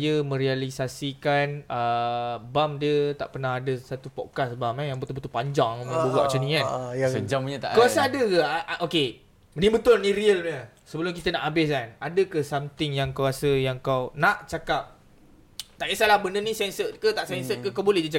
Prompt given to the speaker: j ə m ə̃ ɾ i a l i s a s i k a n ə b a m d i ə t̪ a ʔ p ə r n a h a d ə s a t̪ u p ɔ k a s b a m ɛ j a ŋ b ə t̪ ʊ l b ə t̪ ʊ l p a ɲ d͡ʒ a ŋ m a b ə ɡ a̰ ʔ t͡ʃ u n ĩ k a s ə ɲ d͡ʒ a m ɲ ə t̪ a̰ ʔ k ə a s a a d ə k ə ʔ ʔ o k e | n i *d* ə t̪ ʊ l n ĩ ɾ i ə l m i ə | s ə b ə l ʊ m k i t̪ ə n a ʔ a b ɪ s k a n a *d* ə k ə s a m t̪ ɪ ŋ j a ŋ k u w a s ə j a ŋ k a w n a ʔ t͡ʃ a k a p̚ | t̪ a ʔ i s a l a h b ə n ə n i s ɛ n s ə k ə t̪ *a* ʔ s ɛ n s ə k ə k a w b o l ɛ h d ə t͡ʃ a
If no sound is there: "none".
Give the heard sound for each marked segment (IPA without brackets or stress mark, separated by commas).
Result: b, d, a